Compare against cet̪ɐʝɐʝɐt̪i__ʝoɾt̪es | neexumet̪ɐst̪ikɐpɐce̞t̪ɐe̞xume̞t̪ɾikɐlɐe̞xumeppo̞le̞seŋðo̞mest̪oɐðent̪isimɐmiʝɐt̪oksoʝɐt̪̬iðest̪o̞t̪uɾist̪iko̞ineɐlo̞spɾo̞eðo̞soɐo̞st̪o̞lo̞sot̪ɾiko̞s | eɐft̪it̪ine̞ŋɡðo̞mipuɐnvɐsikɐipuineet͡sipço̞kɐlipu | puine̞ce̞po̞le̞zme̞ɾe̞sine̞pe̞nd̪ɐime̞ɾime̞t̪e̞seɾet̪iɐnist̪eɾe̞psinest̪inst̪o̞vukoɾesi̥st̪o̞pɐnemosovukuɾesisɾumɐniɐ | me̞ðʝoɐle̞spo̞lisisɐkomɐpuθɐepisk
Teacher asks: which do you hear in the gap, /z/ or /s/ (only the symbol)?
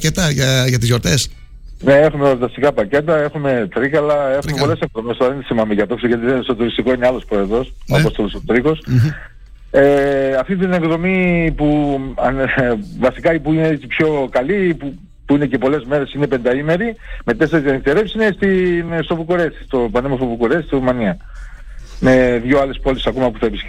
z